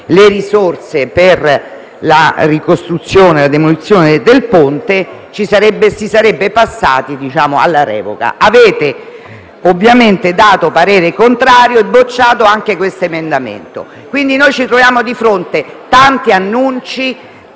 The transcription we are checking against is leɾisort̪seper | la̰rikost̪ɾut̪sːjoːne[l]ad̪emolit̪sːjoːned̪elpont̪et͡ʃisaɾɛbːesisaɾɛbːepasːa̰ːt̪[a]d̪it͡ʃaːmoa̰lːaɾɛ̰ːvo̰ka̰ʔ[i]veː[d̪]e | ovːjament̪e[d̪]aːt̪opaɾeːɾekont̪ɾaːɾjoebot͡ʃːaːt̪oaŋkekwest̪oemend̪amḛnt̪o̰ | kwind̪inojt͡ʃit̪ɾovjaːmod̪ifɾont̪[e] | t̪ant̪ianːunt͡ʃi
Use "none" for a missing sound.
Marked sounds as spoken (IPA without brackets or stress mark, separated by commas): l, i, a, t̪, d̪, e